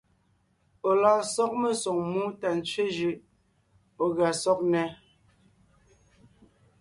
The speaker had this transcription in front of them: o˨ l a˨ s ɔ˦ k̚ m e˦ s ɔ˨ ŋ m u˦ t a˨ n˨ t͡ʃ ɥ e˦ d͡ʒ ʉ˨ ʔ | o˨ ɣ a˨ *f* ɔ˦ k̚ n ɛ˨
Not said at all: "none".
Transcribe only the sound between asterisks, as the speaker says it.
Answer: s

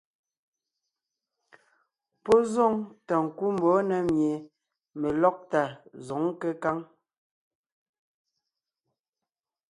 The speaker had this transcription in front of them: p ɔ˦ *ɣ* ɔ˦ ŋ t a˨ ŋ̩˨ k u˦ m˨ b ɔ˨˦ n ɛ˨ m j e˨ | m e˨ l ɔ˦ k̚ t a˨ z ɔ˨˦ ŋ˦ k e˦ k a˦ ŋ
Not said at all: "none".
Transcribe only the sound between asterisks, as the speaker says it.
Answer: z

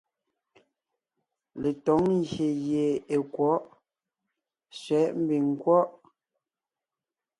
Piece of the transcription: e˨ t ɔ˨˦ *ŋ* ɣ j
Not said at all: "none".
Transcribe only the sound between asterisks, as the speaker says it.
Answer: ŋ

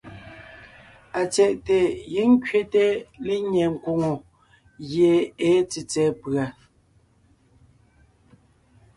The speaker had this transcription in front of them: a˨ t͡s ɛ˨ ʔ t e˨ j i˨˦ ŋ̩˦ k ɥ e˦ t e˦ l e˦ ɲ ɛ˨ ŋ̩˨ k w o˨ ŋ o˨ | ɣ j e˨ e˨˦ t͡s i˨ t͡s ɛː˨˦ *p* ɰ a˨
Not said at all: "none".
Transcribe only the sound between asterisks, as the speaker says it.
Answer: p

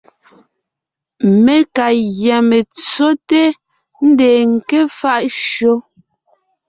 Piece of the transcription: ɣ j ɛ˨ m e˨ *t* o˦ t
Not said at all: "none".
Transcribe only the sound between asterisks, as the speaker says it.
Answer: t͡s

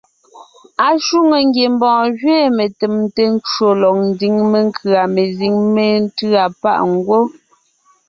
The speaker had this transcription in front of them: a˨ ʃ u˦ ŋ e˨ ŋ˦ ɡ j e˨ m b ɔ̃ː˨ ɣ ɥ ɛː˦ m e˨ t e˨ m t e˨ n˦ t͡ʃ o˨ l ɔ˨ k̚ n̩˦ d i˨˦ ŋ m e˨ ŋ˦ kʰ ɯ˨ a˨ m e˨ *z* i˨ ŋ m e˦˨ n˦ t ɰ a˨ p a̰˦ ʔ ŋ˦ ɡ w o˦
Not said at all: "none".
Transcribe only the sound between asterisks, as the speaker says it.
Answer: z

